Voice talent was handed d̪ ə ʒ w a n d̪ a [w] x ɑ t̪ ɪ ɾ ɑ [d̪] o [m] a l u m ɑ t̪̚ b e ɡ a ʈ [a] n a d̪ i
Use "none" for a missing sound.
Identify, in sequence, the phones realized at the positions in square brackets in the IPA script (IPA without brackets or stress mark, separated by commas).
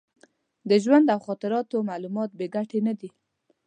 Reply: w, t̪, m, e